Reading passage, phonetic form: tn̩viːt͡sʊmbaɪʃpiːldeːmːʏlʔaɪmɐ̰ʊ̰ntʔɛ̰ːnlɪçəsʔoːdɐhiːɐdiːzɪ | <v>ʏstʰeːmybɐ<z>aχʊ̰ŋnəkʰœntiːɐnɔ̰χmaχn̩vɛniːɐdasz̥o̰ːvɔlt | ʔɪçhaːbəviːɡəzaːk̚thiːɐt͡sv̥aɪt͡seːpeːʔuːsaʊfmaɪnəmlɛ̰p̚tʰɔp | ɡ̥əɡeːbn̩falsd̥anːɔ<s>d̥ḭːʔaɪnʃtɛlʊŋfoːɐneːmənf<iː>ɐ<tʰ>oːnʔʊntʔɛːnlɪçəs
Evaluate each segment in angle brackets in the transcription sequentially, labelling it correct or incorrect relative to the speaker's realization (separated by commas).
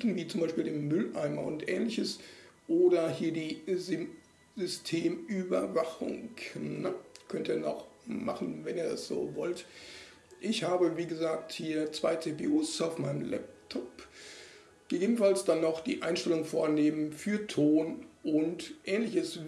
incorrect, incorrect, incorrect, incorrect, correct